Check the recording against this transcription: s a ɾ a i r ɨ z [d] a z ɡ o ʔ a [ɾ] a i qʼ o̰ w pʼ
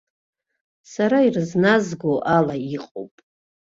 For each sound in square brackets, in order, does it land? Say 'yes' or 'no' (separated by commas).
no, no